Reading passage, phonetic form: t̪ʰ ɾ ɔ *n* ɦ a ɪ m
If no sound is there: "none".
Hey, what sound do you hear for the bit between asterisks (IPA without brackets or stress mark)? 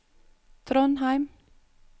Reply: n